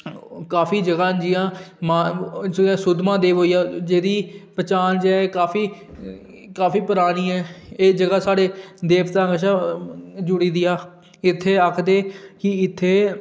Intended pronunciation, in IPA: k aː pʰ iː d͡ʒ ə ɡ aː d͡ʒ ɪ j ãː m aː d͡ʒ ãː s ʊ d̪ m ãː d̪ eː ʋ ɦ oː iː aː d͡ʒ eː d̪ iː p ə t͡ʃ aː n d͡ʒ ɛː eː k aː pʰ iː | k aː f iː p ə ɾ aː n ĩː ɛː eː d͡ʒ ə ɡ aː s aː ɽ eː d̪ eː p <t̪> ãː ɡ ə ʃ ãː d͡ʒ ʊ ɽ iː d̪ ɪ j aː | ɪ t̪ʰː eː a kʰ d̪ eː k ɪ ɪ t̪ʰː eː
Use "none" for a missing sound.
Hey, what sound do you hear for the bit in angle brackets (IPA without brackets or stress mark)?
t̪